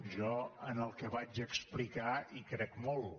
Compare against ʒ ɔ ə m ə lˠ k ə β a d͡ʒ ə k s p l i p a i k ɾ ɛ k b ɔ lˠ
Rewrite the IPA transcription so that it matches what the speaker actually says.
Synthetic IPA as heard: ʒ ɔ ə n ə lˠ k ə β a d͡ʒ ə k s p l i k a i k ɾ ɛ k m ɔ lˠ